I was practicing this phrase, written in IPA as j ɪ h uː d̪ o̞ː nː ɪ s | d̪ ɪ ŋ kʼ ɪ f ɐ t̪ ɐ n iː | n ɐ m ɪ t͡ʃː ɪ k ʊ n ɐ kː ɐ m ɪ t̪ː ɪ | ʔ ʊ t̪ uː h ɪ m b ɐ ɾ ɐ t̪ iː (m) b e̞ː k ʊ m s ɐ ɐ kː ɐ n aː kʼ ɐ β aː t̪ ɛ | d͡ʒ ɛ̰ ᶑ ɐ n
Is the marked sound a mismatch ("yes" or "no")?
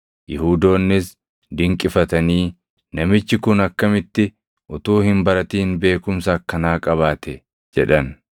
yes